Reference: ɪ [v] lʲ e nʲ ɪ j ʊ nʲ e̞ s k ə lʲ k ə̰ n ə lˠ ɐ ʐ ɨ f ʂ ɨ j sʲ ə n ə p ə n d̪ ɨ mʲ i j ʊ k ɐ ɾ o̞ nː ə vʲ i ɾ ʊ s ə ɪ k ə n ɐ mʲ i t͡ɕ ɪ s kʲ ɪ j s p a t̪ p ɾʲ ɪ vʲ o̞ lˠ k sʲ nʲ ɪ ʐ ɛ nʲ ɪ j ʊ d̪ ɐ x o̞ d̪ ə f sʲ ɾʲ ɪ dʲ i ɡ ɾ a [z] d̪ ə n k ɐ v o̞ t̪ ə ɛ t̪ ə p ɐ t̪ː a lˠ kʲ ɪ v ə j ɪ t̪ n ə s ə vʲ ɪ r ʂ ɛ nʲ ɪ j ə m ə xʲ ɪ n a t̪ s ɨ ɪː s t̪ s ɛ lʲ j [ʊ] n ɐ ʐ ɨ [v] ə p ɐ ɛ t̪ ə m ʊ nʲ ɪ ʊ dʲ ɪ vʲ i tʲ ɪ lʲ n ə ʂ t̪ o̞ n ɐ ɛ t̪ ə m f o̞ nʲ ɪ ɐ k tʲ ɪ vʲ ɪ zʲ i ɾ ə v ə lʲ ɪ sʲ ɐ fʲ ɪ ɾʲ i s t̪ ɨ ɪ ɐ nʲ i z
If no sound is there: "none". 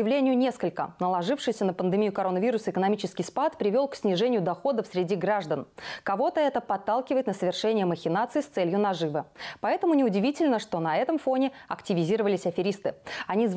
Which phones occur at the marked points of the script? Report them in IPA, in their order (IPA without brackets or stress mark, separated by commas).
v, ʐ, ʊ, v